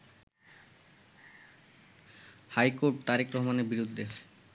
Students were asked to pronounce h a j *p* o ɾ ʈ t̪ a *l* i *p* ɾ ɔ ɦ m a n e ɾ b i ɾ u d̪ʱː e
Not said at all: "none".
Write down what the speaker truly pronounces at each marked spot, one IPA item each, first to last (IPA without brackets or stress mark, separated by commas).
k, ɾ, k